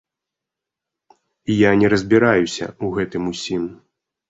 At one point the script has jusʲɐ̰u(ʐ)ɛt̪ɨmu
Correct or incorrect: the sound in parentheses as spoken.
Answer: incorrect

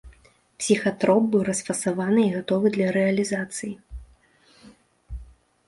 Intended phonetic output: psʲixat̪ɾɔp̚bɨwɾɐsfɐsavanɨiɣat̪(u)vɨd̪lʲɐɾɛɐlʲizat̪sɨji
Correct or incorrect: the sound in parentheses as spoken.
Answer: incorrect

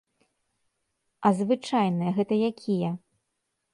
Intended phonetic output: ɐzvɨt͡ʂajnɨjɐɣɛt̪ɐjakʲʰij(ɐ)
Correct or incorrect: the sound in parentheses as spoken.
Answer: correct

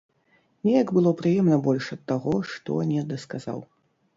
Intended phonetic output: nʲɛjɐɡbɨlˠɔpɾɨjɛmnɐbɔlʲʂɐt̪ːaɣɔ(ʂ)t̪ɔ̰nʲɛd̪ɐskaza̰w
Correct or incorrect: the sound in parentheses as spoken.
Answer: correct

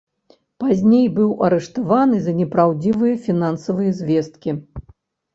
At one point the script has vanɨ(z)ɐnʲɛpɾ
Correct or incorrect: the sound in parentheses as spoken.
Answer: correct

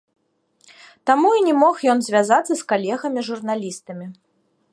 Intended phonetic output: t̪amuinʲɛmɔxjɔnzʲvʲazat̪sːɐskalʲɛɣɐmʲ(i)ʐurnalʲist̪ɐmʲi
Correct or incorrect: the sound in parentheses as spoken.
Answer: correct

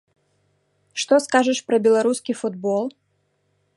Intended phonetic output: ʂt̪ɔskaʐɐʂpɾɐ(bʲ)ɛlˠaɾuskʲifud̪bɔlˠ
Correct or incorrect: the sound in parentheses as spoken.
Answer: correct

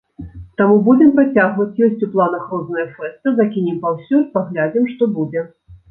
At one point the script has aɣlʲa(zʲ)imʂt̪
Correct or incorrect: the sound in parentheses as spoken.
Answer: incorrect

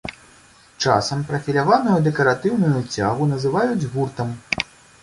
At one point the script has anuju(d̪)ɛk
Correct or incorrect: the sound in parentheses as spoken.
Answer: correct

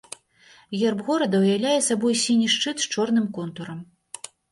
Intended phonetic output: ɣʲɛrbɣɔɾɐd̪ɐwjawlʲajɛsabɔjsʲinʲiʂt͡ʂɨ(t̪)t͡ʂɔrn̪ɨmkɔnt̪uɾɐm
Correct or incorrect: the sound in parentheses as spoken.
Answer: correct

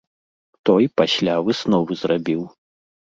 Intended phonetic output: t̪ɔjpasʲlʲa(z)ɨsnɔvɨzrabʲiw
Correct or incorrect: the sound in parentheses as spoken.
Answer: incorrect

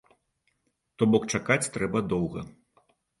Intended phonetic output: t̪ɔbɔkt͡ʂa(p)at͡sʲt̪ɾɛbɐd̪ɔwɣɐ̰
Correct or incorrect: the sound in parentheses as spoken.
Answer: incorrect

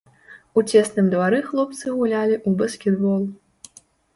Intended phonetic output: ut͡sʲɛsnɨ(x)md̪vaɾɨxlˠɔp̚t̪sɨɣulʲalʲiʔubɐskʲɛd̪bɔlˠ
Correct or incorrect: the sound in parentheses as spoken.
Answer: incorrect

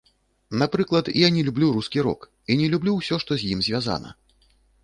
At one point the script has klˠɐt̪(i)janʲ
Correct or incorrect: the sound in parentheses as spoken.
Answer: correct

